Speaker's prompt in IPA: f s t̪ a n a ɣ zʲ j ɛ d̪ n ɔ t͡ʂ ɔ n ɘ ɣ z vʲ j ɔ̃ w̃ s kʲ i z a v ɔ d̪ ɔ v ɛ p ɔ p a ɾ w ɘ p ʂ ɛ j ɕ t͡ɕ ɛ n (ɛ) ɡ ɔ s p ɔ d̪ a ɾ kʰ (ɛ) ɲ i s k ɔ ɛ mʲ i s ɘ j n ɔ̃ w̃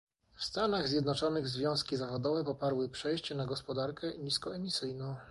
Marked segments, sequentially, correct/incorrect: incorrect: a, correct

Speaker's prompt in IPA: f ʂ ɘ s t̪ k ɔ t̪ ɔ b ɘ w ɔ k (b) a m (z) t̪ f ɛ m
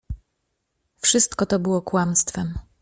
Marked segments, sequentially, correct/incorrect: incorrect: w, incorrect: s

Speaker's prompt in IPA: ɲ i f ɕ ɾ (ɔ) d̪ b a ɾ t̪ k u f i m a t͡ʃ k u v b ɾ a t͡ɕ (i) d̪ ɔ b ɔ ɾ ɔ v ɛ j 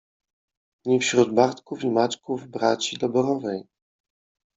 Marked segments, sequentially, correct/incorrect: incorrect: u, correct

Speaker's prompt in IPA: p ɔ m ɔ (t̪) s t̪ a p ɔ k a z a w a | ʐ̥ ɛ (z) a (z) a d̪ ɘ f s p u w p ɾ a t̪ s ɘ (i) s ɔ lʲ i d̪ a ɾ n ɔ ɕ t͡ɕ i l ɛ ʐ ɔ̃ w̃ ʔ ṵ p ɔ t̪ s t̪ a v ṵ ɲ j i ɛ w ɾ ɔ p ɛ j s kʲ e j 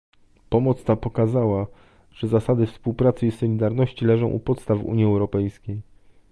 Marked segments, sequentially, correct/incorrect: correct, correct, incorrect: s, correct

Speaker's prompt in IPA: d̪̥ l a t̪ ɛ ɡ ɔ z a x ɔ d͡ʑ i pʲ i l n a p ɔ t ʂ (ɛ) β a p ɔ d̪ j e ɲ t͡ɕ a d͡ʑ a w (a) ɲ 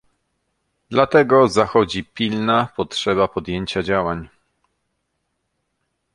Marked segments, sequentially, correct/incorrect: correct, correct

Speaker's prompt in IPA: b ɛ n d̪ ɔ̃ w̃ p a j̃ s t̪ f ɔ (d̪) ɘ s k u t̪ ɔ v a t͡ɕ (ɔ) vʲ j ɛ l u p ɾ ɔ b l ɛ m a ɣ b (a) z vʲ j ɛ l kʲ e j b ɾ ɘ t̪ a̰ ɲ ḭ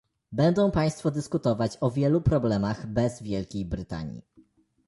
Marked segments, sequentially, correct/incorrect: correct, correct, incorrect: ɛ

